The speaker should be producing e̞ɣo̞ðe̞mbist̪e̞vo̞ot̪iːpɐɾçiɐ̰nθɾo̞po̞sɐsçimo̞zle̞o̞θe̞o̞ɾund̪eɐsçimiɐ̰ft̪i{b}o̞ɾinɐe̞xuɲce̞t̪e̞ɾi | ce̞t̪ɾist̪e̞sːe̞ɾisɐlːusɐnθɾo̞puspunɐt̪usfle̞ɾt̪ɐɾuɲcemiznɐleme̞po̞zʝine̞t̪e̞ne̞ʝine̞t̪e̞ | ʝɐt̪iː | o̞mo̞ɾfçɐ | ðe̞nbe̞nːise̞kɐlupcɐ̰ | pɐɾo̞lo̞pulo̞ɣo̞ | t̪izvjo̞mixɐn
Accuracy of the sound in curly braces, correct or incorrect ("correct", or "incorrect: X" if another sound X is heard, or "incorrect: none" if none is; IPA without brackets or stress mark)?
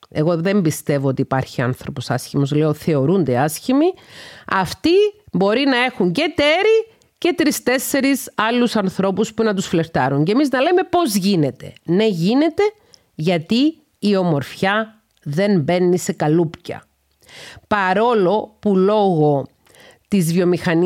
correct